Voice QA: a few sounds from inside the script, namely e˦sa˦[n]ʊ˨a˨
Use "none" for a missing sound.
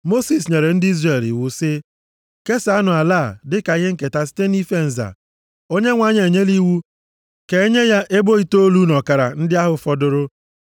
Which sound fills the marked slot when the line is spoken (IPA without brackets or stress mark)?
n